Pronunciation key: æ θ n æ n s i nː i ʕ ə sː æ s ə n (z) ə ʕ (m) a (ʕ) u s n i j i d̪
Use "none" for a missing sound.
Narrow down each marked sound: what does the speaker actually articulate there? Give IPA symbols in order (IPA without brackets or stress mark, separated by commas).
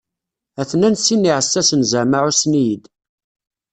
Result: z, m, ʕ